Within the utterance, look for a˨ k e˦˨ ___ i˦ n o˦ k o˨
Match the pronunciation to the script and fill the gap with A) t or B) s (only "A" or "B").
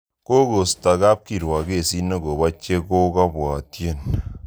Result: B